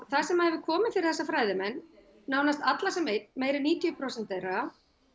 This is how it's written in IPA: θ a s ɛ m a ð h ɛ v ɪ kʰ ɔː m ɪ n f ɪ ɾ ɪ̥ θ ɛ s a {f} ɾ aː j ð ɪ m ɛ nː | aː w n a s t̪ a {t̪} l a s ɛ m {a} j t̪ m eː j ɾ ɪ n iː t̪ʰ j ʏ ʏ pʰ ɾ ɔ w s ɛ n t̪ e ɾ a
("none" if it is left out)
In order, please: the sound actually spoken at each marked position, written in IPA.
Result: f, t̪, e

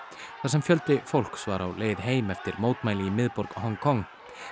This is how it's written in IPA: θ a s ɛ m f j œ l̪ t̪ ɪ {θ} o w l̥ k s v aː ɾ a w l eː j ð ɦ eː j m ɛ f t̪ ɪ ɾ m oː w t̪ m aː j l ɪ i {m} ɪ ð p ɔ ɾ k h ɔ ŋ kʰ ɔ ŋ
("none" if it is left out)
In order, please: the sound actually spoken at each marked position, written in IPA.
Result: f, m

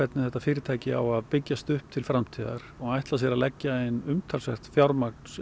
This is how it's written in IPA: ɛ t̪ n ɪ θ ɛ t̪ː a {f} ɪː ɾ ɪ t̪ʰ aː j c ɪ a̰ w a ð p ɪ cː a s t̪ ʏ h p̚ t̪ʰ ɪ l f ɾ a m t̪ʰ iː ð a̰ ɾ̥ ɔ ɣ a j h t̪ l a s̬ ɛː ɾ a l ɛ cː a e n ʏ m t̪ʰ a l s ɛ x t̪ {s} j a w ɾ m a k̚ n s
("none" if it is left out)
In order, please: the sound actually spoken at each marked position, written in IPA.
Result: f, f

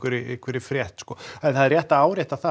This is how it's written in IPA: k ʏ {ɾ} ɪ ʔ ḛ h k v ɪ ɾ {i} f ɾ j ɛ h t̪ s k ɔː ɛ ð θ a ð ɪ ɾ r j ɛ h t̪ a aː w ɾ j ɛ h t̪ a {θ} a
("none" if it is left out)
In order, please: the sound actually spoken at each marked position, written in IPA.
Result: ɾ, ɪ, θ

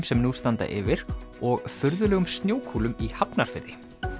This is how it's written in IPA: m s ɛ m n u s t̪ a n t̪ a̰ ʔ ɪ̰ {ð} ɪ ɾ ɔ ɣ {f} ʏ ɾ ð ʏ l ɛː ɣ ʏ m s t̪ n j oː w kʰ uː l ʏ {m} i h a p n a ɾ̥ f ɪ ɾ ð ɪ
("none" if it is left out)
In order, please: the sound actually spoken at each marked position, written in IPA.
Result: v, f, m

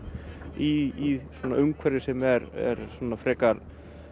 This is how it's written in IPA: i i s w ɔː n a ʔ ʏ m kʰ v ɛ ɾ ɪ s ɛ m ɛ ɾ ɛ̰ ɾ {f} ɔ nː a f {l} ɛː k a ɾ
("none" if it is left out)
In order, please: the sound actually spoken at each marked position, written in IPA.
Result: s, ɾ

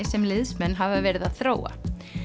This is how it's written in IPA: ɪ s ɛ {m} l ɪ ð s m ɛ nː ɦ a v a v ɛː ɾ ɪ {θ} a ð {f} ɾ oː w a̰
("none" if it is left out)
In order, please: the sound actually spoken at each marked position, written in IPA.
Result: m, ð, θ

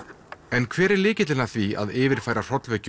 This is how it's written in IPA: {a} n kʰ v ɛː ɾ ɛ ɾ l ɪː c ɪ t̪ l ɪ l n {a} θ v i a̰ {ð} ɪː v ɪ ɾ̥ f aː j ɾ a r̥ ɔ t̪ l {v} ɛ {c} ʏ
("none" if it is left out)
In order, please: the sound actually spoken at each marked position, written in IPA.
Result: ɛ, a, ð, v, c

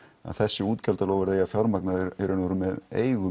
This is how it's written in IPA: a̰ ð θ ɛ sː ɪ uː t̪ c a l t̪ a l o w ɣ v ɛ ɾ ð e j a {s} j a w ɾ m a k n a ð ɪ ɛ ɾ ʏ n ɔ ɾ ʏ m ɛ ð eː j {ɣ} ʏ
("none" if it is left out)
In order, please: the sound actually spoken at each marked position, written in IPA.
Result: f, ɣ

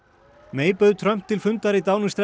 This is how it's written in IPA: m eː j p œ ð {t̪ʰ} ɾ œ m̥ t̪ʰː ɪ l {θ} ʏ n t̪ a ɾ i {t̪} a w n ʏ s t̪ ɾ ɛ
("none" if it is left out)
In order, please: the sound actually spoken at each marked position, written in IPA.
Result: t̪ʰ, f, t̪

